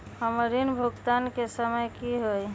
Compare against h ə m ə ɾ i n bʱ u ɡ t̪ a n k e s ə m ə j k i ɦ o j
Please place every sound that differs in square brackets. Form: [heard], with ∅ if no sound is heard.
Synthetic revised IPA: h ə m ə ɾ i n bʱ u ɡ t̪ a n k e s ə m ə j k i ɦ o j